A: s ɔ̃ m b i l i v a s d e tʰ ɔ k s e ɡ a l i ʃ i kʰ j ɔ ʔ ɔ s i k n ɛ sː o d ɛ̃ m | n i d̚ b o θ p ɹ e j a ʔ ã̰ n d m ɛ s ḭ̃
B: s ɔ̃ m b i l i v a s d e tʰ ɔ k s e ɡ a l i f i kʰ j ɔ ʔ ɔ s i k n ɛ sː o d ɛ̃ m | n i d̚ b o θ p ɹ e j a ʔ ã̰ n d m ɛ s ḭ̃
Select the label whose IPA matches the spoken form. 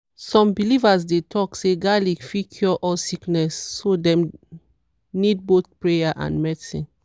B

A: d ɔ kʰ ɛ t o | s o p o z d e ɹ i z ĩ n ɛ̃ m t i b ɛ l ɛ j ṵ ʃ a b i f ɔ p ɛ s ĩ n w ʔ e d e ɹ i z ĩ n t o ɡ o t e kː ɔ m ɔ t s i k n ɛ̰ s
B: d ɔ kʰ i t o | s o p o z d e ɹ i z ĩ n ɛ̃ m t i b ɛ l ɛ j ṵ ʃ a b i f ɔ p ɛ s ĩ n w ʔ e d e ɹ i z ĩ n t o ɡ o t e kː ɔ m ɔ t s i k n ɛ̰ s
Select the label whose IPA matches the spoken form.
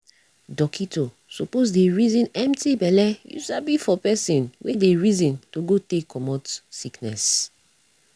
B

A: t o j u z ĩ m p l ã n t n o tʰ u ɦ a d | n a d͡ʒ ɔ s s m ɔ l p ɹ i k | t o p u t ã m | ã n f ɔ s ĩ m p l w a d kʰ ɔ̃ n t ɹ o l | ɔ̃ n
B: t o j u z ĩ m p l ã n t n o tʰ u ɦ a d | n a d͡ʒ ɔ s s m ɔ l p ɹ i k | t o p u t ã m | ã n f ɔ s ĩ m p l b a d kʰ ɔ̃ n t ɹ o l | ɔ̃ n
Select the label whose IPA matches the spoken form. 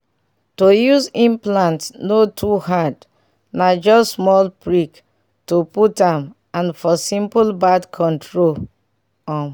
B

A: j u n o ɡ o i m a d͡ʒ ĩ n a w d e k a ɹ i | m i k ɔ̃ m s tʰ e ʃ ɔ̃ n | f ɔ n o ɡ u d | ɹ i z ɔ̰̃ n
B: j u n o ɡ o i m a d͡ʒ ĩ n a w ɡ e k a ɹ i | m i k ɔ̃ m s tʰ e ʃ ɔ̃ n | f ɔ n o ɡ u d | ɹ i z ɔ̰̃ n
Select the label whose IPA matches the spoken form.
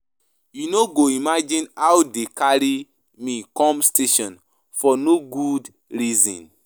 A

